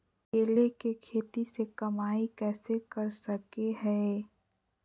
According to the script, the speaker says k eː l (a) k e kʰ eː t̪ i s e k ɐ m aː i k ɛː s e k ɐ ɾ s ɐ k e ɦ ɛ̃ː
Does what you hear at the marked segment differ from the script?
yes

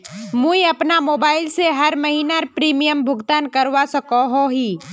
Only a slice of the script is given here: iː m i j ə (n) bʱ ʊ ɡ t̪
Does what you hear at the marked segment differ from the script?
yes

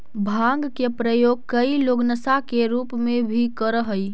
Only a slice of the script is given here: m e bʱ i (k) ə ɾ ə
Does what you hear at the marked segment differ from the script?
no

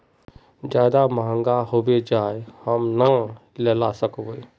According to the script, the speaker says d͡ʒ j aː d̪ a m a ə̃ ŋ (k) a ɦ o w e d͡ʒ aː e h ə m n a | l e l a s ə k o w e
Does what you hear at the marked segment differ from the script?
yes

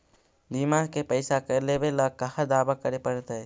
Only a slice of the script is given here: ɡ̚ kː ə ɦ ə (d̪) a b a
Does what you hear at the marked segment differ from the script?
no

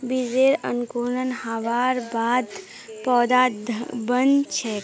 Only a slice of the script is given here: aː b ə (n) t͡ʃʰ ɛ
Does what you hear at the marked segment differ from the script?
no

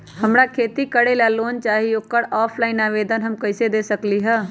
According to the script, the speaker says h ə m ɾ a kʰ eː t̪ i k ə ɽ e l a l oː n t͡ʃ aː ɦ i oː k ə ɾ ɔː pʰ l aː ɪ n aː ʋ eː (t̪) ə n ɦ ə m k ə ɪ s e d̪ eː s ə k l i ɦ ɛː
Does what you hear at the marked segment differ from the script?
yes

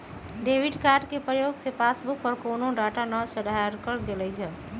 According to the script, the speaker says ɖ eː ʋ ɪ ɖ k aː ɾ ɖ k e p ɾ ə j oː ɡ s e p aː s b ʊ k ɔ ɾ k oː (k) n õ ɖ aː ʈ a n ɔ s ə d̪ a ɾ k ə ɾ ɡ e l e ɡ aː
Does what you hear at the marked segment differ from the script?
yes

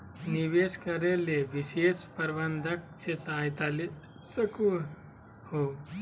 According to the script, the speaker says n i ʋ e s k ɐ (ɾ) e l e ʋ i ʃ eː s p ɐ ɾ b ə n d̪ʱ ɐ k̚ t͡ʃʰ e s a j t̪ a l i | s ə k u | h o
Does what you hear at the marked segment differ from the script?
no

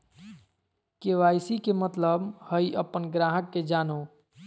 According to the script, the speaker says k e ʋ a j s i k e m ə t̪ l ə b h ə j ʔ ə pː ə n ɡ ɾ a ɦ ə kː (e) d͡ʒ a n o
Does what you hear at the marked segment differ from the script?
no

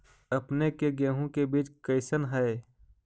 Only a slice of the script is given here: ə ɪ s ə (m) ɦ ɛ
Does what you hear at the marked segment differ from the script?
yes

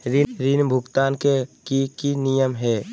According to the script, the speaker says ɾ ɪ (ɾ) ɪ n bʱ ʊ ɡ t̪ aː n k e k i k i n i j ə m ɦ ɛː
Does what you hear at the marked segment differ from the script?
no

